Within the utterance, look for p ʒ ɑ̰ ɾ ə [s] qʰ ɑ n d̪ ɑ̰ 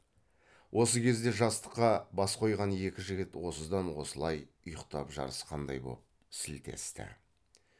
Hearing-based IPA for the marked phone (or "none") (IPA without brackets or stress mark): s